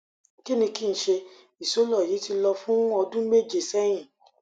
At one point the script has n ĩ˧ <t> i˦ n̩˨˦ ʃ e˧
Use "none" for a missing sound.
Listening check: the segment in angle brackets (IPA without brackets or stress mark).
k